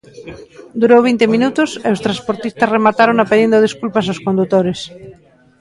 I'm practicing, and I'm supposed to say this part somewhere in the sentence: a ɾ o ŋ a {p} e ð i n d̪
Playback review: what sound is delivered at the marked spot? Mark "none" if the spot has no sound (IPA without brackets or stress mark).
p